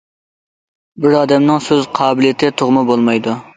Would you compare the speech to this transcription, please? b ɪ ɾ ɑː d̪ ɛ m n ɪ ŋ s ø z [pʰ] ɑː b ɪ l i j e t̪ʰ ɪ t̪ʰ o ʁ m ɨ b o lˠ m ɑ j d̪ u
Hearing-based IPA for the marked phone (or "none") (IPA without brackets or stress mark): qʰ